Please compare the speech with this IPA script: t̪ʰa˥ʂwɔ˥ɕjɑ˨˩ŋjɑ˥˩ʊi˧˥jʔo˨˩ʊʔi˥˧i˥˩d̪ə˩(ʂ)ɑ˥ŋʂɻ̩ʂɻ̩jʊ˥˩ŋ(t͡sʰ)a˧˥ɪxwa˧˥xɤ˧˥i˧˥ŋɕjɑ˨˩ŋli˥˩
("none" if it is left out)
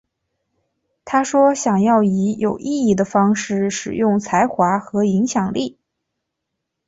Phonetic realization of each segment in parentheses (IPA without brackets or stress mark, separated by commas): f, t͡sʰ